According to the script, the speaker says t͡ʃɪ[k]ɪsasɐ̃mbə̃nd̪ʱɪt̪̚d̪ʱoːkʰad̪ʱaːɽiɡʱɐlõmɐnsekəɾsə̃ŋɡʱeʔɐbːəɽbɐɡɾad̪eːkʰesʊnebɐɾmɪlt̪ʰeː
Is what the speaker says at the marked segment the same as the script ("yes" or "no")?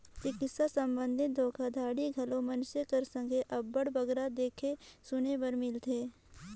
yes